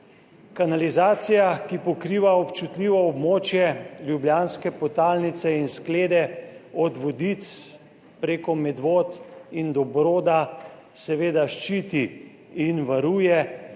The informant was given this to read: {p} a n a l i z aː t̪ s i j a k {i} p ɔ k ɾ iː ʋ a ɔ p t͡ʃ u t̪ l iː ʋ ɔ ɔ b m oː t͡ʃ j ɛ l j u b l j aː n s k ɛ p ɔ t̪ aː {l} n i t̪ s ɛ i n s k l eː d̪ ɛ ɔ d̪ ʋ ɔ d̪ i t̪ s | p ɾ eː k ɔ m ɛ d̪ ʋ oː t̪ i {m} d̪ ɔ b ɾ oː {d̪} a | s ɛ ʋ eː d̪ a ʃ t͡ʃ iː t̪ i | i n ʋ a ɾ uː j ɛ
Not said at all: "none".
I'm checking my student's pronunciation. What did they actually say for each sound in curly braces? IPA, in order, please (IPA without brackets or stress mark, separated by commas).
k, i, l, n, d̪